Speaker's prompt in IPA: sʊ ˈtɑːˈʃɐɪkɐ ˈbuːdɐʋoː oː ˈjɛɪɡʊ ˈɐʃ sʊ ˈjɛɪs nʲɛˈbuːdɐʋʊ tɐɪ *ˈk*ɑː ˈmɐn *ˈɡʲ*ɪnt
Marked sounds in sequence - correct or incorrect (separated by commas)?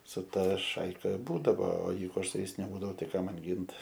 correct, correct